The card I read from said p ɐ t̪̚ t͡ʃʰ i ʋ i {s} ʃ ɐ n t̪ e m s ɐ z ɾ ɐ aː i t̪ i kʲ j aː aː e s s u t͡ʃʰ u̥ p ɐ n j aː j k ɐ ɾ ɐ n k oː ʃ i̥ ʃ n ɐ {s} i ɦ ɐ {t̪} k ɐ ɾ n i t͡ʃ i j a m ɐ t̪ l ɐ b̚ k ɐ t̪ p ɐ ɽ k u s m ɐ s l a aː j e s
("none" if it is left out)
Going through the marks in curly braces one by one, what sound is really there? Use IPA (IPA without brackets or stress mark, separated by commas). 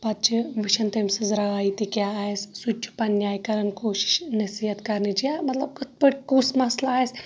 none, s, t̪